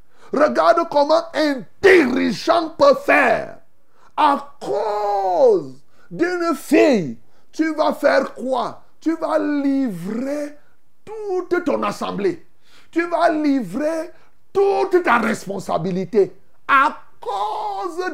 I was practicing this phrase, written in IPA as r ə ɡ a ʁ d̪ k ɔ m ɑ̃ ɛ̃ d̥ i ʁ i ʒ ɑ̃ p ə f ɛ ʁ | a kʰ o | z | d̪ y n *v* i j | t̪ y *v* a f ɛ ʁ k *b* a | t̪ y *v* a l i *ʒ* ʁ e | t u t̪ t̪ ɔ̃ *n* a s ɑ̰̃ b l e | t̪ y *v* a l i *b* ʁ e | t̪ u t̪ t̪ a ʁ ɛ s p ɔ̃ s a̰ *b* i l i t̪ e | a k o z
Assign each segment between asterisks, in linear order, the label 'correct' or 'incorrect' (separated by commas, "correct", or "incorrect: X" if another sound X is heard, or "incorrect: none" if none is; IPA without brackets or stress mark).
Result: incorrect: f, correct, incorrect: w, correct, incorrect: v, correct, correct, incorrect: v, correct